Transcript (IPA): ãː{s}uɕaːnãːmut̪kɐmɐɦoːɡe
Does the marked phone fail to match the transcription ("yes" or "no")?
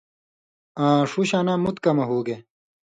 yes